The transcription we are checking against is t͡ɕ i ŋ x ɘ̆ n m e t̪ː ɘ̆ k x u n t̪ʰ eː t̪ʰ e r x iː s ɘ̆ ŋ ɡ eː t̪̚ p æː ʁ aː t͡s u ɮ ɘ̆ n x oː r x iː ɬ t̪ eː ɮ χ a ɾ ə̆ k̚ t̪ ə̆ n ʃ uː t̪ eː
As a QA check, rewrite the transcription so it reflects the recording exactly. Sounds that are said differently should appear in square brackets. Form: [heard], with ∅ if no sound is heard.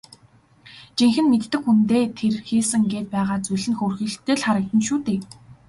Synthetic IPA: t͡ɕ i ŋ x ɘ̆ n m e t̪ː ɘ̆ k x u n [t̪] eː t̪ʰ e r x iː s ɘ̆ ŋ ɡ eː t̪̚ p æː ʁ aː t͡s u ɮ ɘ̆ n x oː r x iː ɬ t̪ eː ɮ χ a ɾ ə̆ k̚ t̪ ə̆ n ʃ uː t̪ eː

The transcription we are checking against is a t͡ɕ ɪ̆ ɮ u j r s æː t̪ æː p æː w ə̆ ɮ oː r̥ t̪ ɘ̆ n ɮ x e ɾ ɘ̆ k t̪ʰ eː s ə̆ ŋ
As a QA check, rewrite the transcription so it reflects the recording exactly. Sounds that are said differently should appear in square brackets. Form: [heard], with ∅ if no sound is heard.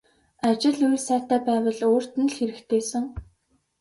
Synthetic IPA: a t͡ɕ ɪ̆ ɮ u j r s æː t̪ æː p æː w ə̆ ɮ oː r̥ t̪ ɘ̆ n ɮ x e ɾ ɘ̆ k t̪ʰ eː s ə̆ ŋ

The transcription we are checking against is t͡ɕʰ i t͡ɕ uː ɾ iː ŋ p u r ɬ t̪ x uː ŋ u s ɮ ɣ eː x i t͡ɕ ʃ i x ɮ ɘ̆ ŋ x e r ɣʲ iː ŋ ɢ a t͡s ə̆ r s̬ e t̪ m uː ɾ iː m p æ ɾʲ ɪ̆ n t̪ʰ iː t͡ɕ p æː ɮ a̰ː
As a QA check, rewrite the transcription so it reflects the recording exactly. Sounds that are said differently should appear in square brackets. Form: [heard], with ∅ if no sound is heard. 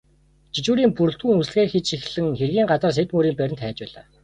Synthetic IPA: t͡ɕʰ i t͡ɕ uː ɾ iː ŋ p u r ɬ t̪ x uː ŋ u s ɮ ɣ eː x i t͡ɕ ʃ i x ɮ ɘ̆ ŋ x e r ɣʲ iː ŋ ɢ a t͡s ə̆ r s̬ e t̪ m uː ɾ iː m p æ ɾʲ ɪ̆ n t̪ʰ [æː] t͡ɕ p æː ɮ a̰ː

